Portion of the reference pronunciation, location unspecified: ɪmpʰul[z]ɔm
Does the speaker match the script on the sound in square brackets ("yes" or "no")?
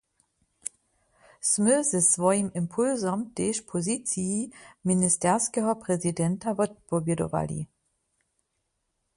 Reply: yes